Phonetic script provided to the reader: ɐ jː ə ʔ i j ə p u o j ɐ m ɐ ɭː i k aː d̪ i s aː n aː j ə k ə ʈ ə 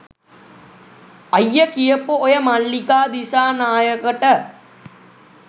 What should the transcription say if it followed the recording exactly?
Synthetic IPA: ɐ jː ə k i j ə p u o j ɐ m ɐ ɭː i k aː d̪ i s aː n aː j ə k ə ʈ ə